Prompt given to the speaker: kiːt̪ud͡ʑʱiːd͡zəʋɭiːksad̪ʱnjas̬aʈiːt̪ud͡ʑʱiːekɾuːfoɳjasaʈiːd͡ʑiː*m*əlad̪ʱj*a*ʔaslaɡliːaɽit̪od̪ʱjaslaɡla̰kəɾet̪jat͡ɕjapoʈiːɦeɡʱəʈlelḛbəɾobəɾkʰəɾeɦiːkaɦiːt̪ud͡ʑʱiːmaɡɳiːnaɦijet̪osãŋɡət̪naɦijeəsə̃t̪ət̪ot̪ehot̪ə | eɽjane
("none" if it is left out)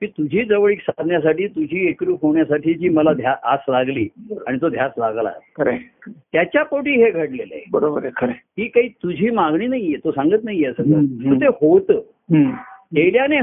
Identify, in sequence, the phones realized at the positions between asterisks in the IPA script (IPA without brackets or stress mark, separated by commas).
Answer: m, a